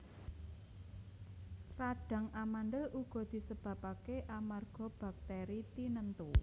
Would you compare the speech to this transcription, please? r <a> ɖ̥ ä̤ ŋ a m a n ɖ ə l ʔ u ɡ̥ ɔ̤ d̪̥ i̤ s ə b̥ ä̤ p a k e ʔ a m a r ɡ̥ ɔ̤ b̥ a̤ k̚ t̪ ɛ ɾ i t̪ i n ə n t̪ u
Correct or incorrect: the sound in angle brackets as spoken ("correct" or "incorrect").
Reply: correct